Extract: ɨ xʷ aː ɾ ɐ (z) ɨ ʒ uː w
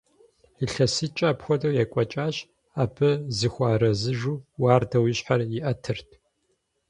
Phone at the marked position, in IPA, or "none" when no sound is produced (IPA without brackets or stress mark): z